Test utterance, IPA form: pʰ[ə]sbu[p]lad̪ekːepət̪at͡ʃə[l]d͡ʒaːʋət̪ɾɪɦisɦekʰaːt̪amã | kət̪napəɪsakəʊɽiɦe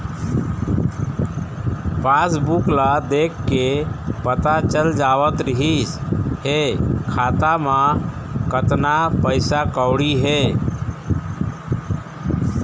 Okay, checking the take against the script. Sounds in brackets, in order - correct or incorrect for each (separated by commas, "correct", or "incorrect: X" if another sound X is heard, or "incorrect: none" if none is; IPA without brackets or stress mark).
incorrect: a, incorrect: k, correct